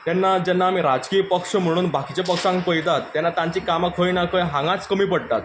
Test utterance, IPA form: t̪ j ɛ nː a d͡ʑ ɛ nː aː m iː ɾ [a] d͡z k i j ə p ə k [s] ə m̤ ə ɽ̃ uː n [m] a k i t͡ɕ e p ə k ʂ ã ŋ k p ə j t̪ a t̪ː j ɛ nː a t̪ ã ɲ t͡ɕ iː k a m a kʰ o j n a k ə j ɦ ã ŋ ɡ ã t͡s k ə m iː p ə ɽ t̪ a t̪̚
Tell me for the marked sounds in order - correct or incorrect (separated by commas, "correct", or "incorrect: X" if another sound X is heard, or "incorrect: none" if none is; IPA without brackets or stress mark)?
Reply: correct, incorrect: ʂ, incorrect: b